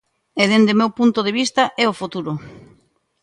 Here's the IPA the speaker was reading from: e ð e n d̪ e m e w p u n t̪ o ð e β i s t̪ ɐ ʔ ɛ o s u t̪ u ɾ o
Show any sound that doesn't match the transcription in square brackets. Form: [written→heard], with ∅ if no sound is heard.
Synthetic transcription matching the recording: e ð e n d̪ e m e w p u n t̪ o ð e β i s t̪ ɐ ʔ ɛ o [s→f] u t̪ u ɾ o